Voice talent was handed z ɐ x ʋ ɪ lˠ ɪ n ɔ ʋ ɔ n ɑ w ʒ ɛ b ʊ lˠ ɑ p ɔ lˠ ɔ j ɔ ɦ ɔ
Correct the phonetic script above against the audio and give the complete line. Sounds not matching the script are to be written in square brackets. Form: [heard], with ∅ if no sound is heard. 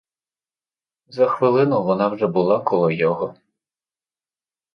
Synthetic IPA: z ɐ x ʋ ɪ lˠ ɪ n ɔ ʋ ɔ n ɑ w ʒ ɛ b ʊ lˠ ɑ [k] ɔ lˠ ɔ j ɔ ɦ ɔ